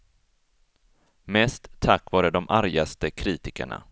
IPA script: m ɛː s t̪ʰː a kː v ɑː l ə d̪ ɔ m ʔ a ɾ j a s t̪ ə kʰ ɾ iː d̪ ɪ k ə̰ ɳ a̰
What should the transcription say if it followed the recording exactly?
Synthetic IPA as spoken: m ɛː s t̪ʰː a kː v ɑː ɾ ə d̪ ɔ m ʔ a ɾ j a s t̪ ə kʰ ɾ iː t̪ ɪ k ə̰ ɳ a̰